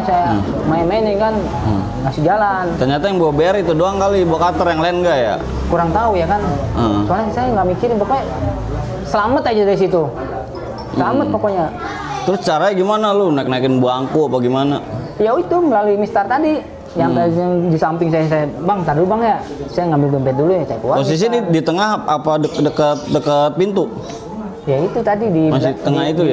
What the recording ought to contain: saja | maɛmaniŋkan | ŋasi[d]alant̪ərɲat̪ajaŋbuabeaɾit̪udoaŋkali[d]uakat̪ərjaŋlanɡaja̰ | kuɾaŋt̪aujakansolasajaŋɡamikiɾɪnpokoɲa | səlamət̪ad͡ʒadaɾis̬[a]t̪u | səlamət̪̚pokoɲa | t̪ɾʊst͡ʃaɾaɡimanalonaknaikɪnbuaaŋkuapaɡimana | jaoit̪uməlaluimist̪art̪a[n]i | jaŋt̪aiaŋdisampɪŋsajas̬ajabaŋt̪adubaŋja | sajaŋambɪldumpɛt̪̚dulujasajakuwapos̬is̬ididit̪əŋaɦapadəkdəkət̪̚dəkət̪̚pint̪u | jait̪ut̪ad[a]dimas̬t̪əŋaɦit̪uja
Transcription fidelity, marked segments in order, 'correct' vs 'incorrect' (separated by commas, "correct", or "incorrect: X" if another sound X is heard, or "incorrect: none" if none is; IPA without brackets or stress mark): incorrect: d͡ʒ, incorrect: b, incorrect: i, incorrect: d, incorrect: i